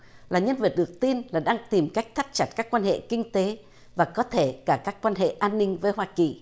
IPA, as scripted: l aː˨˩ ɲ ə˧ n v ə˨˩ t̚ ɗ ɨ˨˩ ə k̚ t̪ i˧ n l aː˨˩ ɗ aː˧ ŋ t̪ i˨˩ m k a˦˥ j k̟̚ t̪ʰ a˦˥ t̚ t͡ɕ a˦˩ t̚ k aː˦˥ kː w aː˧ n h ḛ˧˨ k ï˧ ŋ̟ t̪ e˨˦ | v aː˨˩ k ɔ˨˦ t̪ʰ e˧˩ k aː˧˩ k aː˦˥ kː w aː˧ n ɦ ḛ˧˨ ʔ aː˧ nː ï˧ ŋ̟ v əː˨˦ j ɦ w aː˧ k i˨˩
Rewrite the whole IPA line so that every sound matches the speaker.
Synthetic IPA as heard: l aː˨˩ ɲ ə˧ n v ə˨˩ t̚ ɗ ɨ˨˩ ə k̚ t̪ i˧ n l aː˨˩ ɗ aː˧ ŋ t̪ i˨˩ m k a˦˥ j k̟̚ t̪ʰ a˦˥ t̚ t͡ɕ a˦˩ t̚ k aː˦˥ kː w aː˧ n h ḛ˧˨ k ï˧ ŋ̟ t̪ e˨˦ | v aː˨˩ k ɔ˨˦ t̪ʰ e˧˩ k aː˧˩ k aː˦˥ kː w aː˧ n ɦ ḛ˧˨ ʔ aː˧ nː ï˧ ŋ̟ v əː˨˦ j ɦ w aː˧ k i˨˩